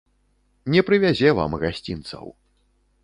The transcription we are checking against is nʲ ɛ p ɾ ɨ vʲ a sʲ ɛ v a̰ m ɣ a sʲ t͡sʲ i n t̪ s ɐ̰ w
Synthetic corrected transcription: nʲ ɛ p ɾ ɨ vʲ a zʲ ɛ v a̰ m ɣ a sʲ t͡sʲ i n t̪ s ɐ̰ w

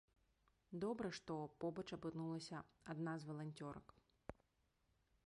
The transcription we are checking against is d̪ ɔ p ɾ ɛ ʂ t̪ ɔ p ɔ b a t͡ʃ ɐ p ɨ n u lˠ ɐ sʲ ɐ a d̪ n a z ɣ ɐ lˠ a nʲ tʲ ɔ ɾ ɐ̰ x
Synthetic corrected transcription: d̪ ɔ b ɾ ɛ ʂ t̪ ɔ p ɔ b ɐ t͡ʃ ɐ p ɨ n u lˠ ɐ sʲ ɐ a d̪ n a z v ɐ lˠ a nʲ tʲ ɔ ɾ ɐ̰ k

